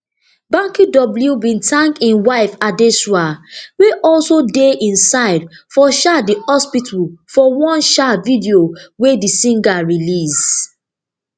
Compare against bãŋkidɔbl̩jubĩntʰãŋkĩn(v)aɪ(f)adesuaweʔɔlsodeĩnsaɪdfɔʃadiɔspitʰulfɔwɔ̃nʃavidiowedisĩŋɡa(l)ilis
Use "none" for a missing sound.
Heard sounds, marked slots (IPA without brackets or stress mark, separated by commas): w, f, ɹ